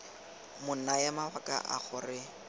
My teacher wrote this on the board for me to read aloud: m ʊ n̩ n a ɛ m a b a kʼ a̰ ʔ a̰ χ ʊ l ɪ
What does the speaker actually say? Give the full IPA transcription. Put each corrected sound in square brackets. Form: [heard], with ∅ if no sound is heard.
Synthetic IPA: m ʊ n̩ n a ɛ m a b a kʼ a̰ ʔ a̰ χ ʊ [r] ɪ